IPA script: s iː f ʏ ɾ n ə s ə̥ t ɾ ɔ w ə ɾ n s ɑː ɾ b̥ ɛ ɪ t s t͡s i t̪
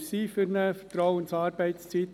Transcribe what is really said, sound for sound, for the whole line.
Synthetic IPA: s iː f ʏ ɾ n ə f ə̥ t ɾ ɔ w ə n s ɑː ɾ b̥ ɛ ɪ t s t͡s i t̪

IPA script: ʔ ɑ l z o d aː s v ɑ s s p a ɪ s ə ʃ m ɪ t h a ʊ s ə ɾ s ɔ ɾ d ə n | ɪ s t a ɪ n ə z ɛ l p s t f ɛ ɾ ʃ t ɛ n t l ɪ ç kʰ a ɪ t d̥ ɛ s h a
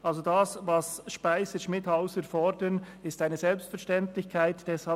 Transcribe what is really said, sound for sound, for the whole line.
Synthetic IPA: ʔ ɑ l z o d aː s v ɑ s ʃ p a ɪ s ə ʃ m ɪ t h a ʊ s ə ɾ f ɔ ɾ d ə n | ɪ s t a ɪ n ə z ɛ l p s t f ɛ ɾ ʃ t ɛ n t l ɪ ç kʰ a ɪ t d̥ ɛ s h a

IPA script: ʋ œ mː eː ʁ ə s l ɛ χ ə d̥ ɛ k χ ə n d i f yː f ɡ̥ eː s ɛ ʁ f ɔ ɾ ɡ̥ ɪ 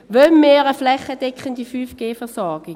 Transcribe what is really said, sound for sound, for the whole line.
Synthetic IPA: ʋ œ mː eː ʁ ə f l ɛ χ ə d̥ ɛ k χ ə n d i f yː f ɡ̥ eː f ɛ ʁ s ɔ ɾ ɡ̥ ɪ

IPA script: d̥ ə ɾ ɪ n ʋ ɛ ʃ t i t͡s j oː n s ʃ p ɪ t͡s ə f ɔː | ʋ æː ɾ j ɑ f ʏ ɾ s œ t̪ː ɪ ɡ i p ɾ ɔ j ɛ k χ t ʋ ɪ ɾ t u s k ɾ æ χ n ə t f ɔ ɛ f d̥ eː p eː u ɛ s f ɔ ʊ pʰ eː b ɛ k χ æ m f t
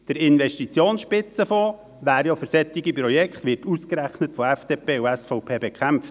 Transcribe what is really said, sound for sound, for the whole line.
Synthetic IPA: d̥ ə ɾ ɪ n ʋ ɛ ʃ t i t͡s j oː n s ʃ p ɪ t͡s ə f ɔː | ʋ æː ɾ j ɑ f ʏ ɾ s ɛ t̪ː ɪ ɡ i p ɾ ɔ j ɛ k χ t ʋ ɪ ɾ t u s k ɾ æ χ n ə t f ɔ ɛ f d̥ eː p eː u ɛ s f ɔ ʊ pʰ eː b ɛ k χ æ m f t

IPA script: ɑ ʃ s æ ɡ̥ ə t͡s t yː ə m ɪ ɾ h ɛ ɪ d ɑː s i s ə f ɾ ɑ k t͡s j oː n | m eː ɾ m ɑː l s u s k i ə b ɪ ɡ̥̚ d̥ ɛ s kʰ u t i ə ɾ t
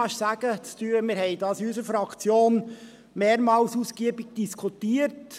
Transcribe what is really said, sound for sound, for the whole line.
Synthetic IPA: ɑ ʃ s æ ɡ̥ ə t͡s t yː ə m ɪ ɾ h ɛ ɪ d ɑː s y s ə f ɾ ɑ k t͡s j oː n | m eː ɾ m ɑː l s u s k i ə b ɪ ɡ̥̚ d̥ i s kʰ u t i ə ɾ t

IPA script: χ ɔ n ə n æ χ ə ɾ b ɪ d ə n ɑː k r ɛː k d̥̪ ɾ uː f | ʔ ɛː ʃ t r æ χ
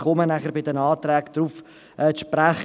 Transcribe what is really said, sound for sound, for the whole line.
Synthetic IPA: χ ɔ m ə n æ χ ə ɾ b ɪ d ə n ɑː t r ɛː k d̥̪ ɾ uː f | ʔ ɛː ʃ p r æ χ

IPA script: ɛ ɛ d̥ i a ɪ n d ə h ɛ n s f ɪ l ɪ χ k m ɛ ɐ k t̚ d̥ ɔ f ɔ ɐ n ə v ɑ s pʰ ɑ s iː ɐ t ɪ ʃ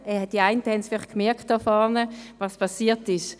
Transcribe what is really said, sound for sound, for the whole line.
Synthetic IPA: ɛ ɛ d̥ i a ɪ n t ə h ɛ n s f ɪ l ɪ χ k m ɛ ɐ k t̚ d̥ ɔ f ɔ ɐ n ə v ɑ s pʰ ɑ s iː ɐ t ɪ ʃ

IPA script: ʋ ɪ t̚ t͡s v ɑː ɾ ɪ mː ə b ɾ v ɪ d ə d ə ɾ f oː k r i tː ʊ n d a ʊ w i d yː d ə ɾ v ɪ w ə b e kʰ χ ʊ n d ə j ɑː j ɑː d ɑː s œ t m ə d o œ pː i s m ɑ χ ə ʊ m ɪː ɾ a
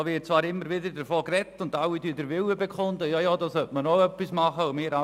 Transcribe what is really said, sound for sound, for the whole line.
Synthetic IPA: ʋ ɪ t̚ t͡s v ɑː ɾ ɪ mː ə ɾ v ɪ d ə d ə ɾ f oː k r ɛ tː ʊ n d a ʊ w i d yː d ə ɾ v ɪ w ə b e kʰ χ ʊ n d ə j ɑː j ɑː d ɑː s œ t m ə n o œ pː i s m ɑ χ ə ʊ m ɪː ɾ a

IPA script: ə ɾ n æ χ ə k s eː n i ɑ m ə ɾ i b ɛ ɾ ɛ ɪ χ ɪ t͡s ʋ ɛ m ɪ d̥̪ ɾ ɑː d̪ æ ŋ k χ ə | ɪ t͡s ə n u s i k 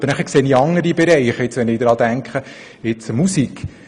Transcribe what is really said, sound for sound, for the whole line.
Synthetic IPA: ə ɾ n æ χ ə k s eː n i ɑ ŋ ə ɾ i b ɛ ɾ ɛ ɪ χ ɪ t͡s ʋ ɛ n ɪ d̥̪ ɾ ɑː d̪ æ ŋ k χ ə | ɪ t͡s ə m u s i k

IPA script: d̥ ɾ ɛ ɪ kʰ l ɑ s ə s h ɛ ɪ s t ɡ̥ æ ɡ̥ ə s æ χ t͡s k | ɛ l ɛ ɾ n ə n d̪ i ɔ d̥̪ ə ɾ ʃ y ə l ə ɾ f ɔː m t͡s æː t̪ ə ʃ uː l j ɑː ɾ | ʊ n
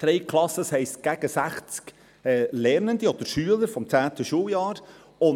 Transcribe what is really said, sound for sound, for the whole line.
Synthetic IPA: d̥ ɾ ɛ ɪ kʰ l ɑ s ə s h ɛ ɪ s t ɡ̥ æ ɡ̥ ə s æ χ t͡s k | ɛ l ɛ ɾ n ə n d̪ i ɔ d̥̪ ə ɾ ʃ y ə l ə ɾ f ɔ m t͡s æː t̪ ə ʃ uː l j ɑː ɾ | ʊ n

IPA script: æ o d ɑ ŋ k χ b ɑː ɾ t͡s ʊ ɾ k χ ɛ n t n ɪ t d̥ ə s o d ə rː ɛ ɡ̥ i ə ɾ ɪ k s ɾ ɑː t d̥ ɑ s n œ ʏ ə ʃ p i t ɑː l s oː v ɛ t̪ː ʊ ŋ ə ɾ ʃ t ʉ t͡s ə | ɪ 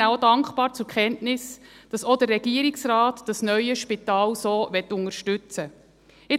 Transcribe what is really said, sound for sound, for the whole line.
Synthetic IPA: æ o d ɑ ŋ k χ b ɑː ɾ t͡s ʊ ɾ k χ ɛ n t n ɪ s d̥ ɑ s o d ə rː ɛ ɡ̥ i ə ɾ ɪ k s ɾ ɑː t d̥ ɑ s n œ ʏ ə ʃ p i t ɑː l s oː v ɛ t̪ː ʊ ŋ ə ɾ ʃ t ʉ t͡s ə | ɪ

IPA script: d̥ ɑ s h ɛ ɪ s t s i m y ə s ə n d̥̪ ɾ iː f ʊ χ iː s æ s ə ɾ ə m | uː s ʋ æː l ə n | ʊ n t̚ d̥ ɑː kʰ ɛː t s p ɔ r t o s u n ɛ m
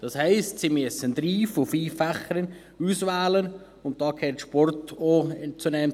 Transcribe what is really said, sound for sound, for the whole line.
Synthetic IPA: d̥ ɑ s h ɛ ɪ s t s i m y ə s ə n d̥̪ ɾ iː f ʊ f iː f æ χ ə ɾ ə n | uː s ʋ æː l ə n | ʊ n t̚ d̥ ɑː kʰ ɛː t ʃ p ɔ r t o t͡s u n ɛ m

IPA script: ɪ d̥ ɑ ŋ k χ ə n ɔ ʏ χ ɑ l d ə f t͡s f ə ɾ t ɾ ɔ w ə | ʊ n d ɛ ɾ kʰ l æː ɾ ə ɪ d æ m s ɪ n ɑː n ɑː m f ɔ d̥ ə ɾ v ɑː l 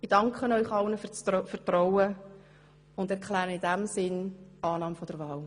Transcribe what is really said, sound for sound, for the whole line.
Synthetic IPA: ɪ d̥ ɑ ŋ k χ ə n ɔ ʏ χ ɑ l n ə f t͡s f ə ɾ t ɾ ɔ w ə | ʊ n d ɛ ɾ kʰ l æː ɾ ə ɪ d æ m s ɪ n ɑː n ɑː m f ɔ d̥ ə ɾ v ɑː l

